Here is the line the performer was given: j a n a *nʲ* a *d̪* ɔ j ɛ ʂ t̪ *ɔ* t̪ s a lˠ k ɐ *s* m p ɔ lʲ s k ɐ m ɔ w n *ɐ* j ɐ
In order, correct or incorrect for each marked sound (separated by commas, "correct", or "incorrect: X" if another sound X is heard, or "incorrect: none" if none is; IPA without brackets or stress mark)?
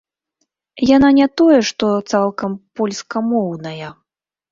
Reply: correct, incorrect: t̪, correct, incorrect: none, correct